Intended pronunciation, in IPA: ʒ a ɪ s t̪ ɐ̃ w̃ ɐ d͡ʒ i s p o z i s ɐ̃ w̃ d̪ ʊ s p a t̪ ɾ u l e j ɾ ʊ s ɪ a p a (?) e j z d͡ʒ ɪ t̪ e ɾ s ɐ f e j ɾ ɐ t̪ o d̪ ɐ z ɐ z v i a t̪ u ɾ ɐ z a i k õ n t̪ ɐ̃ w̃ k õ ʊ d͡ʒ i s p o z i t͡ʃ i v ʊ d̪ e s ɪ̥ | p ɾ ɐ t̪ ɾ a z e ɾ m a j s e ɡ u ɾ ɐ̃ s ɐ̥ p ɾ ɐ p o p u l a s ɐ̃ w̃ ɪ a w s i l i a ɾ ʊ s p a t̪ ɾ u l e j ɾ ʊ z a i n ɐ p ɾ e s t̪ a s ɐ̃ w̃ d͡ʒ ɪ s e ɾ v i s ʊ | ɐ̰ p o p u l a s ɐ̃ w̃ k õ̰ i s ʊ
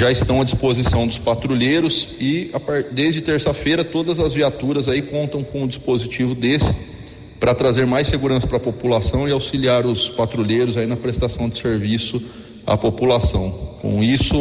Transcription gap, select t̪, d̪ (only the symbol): d̪